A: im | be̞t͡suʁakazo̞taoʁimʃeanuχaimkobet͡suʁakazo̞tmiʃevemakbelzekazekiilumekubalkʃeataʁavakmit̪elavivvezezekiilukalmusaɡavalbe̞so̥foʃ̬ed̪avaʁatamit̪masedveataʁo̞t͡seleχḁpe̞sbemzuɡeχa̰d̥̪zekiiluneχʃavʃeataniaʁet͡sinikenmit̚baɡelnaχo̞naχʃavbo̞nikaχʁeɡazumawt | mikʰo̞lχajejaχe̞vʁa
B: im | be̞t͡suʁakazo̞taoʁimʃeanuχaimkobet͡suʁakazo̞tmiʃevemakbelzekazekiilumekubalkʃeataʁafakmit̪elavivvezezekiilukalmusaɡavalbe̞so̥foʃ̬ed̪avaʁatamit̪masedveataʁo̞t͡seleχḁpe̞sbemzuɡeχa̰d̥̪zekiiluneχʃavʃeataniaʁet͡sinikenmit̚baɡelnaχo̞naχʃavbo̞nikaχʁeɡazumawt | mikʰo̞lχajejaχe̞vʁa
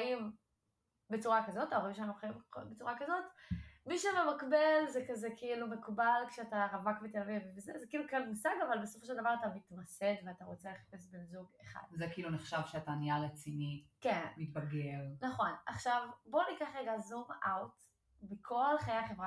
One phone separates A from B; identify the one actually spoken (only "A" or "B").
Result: A